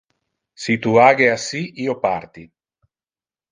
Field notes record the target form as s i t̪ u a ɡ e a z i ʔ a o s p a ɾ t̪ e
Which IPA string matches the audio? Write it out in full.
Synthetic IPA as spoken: s i t̪ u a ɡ e a s i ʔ i o p a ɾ t̪ i

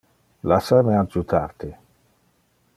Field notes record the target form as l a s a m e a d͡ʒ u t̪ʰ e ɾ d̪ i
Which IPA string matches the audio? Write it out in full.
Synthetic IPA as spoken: l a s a m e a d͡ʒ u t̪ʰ a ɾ t̪ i

